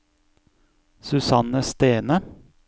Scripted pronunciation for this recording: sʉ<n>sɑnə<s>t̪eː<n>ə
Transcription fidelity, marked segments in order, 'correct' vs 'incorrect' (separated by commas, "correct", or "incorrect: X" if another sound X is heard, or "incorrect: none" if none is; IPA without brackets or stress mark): incorrect: none, correct, correct